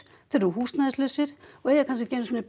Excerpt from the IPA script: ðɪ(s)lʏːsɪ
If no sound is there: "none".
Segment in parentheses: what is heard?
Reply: s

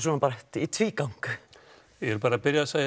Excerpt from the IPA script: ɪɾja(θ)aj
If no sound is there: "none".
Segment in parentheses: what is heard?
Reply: s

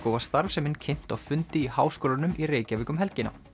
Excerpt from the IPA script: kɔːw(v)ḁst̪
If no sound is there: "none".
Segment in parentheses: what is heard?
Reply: v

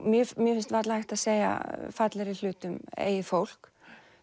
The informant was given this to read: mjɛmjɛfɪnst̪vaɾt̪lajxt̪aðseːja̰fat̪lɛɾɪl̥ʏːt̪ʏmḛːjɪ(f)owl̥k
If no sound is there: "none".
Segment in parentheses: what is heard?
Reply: f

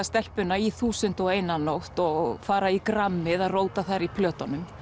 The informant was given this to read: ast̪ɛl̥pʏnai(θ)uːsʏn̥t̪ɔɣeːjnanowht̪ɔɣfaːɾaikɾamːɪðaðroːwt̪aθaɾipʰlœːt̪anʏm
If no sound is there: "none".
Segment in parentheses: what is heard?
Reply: θ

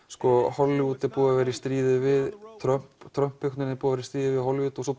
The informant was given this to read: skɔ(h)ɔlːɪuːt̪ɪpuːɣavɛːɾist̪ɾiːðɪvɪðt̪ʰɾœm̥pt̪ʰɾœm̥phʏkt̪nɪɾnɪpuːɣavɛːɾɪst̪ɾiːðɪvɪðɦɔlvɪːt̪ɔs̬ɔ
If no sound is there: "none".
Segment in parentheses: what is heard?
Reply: h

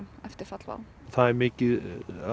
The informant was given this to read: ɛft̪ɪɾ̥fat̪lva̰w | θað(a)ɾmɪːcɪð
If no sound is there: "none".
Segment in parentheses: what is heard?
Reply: ɛ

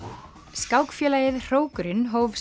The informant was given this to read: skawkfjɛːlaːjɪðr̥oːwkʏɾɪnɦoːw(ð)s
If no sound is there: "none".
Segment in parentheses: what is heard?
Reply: v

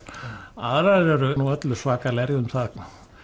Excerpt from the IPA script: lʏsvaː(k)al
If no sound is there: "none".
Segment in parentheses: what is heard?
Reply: k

